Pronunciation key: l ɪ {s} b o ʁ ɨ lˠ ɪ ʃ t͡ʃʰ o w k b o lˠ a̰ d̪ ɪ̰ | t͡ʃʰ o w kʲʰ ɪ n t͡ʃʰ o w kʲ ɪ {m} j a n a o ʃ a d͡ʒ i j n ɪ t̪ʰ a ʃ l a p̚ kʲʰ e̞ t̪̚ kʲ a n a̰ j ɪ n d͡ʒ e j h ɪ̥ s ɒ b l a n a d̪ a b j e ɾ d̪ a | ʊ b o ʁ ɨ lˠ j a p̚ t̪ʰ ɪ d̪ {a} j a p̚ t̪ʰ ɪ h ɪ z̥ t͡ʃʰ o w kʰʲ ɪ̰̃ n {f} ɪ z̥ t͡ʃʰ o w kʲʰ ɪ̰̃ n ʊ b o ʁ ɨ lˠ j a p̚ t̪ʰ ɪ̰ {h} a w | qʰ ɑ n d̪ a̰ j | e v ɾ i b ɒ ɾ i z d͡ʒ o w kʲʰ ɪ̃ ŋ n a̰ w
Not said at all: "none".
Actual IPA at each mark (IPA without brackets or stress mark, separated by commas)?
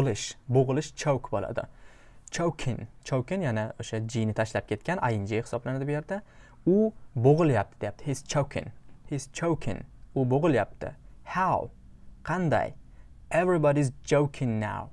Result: ʃ, n, e, h, h